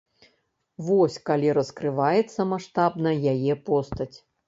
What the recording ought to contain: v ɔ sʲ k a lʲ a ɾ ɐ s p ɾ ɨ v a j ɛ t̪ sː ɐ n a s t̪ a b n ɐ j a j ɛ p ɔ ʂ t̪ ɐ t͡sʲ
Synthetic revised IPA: v ɔ sʲ k a lʲ i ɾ ɐ s k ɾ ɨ v a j ɛ t̪ sː ɐ m a ʂ t̪ a b n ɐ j a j ɛ p ɔ s t̪ ɐ t͡sʲ

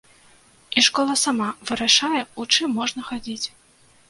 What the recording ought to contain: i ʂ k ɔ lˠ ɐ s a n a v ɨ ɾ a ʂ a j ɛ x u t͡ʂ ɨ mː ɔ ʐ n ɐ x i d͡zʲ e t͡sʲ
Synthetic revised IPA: i ʂ k ɔ lˠ ɐ s a m a v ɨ ɾ a ʂ a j ɛ u t͡ʂ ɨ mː ɔ ʐ n ɐ x a d͡zʲ i t͡sʲ

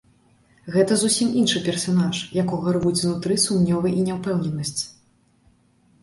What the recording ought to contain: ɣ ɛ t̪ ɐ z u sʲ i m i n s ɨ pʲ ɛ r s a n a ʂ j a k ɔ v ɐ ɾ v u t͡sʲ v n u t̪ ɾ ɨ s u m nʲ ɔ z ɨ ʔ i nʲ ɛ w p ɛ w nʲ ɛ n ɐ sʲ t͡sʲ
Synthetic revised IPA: ɣ ɛ t̪ ɐ z u sʲ i m i n ʂ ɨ pʲ ɛ r s a n a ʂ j a k ɔ ɣ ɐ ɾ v u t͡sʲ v n u t̪ ɾ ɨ s u m nʲ ɔ v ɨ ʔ i nʲ ɛ w p ɛ w nʲ ɛ n ɐ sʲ t͡sʲ

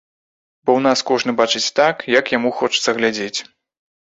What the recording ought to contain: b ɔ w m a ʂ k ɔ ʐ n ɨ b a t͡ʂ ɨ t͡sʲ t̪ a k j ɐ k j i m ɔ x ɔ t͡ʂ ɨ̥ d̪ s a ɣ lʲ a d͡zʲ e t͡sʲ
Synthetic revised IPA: b ɔ w n a s k ɔ ʐ n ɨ b a t͡ʂ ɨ t͡sʲ t̪ a k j ɐ k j a m u x ɔ t͡ʂ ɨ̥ t̪ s ɐ ɣ lʲ a d͡zʲ e t͡sʲ

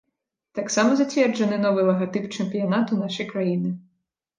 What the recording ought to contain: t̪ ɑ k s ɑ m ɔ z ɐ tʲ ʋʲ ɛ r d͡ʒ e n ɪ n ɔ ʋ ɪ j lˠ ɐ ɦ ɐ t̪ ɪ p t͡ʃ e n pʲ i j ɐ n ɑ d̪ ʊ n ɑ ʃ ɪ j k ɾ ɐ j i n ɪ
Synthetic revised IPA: t̪ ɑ k s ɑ m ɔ z ɐ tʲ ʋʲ ɛ r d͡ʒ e n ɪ n ɔ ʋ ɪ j lˠ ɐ ɦ ɐ t̪ ɪ p t͡ʃ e m pʲ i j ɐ n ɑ t̪ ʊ n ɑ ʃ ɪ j k ɾ ɐ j i n ɪ

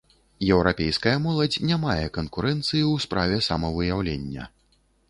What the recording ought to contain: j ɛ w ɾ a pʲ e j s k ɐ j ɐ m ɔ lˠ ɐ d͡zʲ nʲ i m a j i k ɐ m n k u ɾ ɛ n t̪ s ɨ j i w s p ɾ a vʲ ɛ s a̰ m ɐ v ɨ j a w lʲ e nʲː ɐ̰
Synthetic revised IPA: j ɛ w ɾ a pʲ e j s k ɐ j ɐ m ɔ lˠ ɐ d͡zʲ nʲ a m a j ɛ k ɐ n k u ɾ ɛ n t̪ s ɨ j i w s p ɾ a vʲ ɛ s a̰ m ɐ v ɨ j a w lʲ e nʲː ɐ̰

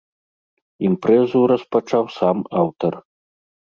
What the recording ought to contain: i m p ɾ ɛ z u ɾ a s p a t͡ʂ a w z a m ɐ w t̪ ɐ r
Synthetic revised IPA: i m p ɾ ɛ z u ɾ ɐ s p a t͡ʂ a w s a m a w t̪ ɐ r

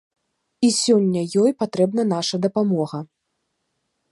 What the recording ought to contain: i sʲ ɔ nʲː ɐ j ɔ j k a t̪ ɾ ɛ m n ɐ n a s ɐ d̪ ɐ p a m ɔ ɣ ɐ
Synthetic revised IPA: i sʲ ɔ nʲː ɐ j ɔ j p a t̪ ɾ ɛ b n ɐ n a ʂ ɐ d̪ ɐ p a m ɔ ɣ ɐ

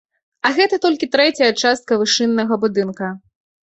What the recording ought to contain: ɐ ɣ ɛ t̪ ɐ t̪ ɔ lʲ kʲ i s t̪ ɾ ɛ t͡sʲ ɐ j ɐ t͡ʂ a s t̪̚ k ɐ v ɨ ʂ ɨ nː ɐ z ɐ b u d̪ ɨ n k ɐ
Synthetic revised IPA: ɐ ɣ ɛ t̪ ɐ t̪ ɔ lʲ kʲ i t̪ ɾ ɛ t͡sʲ ɐ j ɐ t͡ʂ a s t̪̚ k ɐ v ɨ ʂ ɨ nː ɐ ɣ ɐ b u d̪ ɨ n k ɐ

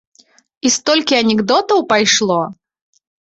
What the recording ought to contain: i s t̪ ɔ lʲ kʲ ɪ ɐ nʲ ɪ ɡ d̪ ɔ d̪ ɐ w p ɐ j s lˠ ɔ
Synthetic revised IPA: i s t̪ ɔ lʲ kʲ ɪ ɐ nʲ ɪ ɡ d̪ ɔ t̪ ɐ w p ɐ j ʂ lˠ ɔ

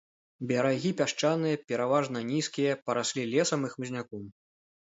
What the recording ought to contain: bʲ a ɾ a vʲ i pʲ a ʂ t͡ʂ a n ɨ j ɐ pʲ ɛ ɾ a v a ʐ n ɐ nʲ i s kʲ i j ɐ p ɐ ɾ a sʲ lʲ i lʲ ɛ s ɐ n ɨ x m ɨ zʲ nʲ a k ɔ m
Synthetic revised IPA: bʲ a ɾ a ɣʲ i pʲ a ʂ t͡ʂ a n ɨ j ɐ pʲ ɛ ɾ a v a ʐ n ɐ nʲ i s kʲ i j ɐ p ɐ ɾ a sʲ lʲ i lʲ ɛ s ɐ m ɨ x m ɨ zʲ nʲ a k ɔ m

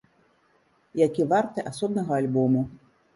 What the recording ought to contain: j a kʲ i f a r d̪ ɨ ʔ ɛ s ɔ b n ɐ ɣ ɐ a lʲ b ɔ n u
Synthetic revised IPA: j a kʲ i v a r t̪ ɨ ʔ a s ɔ b n ɐ ɣ ɐ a lʲ b ɔ m u

